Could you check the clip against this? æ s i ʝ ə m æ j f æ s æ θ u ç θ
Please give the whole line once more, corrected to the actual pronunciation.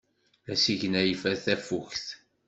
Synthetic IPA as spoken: æ s i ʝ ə n æ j f æ θ æ f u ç θ